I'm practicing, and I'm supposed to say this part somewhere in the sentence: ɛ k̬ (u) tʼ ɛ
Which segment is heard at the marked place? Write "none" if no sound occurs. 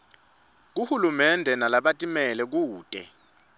uː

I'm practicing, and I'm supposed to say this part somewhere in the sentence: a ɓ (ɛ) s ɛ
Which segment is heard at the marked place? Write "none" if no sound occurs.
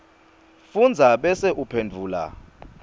ɛ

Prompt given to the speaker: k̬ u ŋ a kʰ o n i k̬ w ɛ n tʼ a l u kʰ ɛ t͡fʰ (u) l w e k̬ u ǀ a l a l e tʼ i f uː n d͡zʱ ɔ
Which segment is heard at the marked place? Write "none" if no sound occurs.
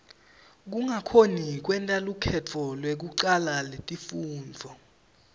ɔ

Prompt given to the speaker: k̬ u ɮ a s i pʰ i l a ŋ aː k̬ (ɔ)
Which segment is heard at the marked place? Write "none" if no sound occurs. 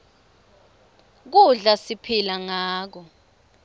ɔ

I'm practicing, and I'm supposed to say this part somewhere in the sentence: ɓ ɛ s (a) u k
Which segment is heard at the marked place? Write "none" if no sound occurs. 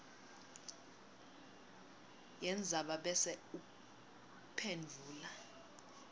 ɛ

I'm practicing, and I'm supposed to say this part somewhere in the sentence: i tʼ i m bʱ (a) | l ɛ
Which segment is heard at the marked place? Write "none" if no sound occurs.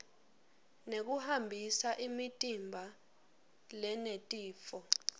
a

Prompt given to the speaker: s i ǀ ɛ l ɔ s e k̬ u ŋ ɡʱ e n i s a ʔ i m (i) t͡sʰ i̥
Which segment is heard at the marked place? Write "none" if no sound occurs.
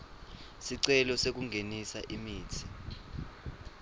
iː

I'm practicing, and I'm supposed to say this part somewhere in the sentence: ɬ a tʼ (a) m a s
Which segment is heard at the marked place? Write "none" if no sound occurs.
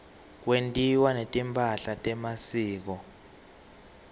ɛ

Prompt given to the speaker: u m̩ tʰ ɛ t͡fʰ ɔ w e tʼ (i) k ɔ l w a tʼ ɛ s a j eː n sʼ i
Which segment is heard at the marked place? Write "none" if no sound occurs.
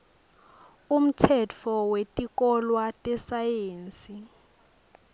i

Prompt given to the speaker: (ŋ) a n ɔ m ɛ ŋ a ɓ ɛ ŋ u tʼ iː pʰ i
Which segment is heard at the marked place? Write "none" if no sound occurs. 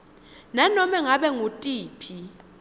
n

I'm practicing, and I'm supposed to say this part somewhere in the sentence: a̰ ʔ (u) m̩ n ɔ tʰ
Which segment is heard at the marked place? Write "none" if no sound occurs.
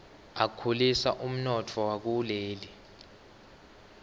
u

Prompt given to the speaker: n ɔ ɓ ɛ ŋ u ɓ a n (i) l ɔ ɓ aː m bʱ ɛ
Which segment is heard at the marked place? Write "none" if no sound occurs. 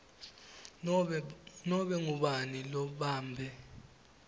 i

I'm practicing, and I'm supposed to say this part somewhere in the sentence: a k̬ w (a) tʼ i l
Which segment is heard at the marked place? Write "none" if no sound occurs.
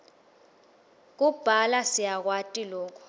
a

